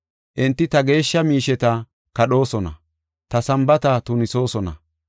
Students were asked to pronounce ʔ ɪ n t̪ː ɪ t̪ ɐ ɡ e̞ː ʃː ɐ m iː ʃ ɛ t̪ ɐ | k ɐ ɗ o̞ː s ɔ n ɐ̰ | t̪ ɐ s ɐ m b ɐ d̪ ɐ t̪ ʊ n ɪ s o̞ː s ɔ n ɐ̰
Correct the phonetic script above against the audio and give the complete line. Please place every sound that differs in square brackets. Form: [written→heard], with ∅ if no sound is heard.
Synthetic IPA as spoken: ʔ ɪ n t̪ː ɪ t̪ ɐ ɡ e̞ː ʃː ɐ m iː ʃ ɛ t̪ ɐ | k ɐ ɗ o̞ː s ɔ n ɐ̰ | t̪ ɐ s ɐ m b ɐ [d̪→t̪] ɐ t̪ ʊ n ɪ s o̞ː s ɔ n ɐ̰